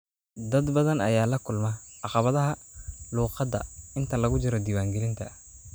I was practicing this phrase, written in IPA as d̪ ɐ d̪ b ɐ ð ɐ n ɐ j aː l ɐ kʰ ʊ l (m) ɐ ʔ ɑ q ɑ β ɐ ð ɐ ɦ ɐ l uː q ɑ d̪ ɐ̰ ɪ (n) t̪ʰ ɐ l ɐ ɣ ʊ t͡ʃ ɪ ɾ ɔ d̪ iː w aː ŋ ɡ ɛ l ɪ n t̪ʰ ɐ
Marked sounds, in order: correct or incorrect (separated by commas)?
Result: correct, correct